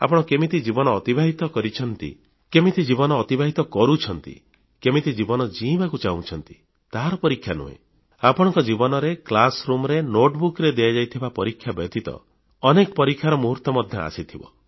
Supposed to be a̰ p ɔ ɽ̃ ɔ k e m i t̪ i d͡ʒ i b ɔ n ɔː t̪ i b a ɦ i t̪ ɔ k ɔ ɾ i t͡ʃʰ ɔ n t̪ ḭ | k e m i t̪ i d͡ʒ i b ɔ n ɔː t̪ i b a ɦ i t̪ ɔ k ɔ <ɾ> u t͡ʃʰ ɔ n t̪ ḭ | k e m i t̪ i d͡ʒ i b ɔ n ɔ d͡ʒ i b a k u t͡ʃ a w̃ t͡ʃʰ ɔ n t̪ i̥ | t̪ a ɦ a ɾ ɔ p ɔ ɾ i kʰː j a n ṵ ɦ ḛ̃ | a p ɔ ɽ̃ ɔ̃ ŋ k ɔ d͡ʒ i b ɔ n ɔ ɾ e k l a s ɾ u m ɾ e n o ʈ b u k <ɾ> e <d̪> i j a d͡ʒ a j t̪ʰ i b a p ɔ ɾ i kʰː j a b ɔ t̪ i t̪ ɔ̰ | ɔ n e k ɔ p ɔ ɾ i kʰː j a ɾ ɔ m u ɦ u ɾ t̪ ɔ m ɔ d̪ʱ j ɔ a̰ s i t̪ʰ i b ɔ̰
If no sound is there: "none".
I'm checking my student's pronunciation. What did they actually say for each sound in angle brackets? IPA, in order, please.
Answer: ɾ, ɾ, d̪

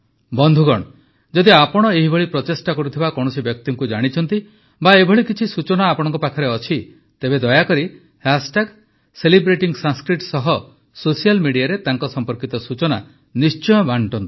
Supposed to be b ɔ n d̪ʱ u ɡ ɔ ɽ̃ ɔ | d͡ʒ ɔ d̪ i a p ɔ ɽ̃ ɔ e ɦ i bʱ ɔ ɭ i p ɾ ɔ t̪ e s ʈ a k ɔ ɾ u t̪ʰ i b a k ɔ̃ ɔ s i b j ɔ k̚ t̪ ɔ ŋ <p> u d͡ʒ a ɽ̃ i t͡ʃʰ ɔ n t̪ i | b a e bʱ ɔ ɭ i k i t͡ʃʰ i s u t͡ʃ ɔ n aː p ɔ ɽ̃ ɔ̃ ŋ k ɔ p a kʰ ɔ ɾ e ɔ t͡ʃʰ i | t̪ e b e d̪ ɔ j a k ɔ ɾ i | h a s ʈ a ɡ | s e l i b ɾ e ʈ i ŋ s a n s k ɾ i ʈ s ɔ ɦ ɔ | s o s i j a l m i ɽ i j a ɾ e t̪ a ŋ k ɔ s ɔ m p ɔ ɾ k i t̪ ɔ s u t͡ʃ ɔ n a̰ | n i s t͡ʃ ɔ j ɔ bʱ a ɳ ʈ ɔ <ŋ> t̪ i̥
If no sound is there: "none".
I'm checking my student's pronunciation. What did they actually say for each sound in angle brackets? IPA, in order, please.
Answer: k, n

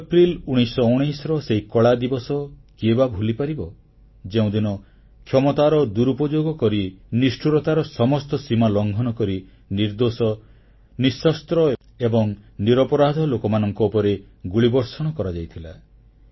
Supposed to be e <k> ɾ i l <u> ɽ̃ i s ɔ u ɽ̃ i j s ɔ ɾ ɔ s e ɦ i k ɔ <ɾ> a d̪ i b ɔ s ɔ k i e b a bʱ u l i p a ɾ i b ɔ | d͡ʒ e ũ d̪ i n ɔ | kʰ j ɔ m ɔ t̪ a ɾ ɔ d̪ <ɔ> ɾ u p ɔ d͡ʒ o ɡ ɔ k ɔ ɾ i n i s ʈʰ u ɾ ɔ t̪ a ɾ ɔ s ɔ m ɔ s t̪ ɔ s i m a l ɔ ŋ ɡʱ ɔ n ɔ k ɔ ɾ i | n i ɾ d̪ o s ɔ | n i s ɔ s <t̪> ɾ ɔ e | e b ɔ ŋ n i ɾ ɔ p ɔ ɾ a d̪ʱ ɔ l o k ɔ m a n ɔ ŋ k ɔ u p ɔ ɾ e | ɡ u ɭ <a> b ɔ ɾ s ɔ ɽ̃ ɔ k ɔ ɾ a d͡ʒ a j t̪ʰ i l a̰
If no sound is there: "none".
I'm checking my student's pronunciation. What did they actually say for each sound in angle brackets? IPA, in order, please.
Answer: p, u, ɭ, u, t̪, i

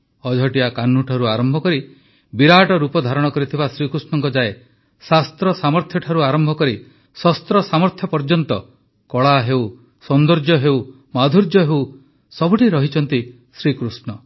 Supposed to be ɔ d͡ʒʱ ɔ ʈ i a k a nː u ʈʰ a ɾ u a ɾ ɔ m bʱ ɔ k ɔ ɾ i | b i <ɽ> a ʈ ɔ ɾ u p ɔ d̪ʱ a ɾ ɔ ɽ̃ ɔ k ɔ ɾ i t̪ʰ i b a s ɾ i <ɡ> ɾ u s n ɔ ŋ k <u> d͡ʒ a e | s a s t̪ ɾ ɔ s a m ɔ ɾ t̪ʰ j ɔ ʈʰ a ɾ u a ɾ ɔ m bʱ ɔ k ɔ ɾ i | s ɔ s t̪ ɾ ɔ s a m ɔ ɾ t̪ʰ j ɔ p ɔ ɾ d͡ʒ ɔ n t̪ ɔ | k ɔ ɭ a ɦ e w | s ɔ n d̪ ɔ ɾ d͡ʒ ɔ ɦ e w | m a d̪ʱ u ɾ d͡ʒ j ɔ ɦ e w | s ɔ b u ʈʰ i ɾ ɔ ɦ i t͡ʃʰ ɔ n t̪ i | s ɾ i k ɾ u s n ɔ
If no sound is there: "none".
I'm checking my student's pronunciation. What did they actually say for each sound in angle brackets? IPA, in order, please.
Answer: ɾ, k, ɔ

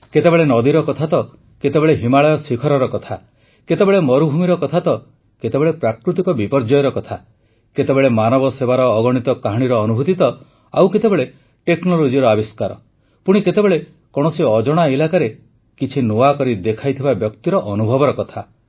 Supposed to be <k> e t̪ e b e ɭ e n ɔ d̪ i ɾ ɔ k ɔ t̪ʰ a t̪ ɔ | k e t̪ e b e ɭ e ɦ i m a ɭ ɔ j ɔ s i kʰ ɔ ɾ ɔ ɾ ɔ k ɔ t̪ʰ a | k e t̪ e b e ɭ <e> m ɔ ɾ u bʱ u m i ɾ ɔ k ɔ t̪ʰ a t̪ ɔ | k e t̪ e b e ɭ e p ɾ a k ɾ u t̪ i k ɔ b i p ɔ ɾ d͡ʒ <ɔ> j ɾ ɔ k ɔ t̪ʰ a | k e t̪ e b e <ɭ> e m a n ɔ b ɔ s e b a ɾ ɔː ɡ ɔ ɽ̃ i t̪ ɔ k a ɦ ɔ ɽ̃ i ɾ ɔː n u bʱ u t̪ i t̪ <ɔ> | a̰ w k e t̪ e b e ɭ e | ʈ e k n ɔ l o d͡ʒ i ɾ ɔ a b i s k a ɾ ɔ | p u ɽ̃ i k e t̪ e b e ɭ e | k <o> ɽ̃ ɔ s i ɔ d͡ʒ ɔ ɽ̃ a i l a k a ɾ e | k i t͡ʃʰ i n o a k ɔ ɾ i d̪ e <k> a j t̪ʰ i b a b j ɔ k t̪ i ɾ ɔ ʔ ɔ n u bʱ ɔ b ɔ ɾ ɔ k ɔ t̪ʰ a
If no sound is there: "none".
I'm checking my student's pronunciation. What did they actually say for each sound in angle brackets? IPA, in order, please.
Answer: k, e, ɔ, ɭ, ɔ, ɔ, kʰ

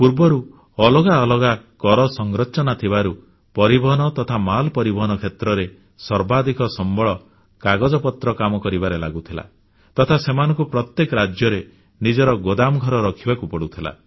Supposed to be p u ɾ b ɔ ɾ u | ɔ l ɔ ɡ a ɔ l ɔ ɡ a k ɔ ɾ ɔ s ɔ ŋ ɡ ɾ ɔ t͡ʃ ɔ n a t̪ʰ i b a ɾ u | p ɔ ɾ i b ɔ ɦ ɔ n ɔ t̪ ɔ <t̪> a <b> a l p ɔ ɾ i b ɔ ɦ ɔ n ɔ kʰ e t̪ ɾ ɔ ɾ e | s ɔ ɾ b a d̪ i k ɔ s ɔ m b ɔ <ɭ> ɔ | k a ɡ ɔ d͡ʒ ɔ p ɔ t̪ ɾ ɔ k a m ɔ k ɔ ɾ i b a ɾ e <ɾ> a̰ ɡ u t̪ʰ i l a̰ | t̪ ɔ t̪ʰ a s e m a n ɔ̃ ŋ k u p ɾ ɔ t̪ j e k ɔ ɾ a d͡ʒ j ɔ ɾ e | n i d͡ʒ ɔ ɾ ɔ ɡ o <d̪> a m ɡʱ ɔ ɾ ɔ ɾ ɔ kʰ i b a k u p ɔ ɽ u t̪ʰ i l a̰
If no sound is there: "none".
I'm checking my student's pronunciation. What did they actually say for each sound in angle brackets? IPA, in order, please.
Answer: t̪ʰ, m, ɭ, l, d̪

